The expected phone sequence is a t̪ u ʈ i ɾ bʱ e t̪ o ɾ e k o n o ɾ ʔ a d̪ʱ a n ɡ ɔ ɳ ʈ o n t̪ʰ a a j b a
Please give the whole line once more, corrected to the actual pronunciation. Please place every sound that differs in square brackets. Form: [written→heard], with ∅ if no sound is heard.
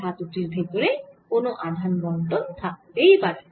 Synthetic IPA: a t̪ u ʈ i ɾ bʱ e t̪ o ɾ e k o n o [ɾ→∅] ʔ a d̪ʱ a n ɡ ɔ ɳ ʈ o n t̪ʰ a [a→e] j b a